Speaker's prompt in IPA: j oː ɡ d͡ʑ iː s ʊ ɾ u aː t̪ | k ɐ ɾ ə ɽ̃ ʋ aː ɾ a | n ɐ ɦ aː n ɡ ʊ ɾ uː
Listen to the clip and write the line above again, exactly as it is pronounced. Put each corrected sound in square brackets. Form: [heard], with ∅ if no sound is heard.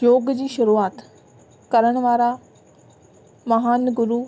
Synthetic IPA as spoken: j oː ɡ d͡ʑ iː [ʃ] ʊ ɾ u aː t̪ | k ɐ ɾ ə ɽ̃ ʋ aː ɾ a | [m] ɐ ɦ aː n ɡ ʊ ɾ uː